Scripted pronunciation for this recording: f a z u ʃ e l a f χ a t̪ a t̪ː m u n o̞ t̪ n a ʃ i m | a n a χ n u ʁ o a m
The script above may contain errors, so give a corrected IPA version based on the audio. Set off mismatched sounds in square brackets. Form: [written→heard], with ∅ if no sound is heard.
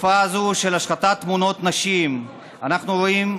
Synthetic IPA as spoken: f a z u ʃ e l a [f→ʃ] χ a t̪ a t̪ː m u n o̞ t̪ n a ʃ i m | a n a χ n u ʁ o [a→i] m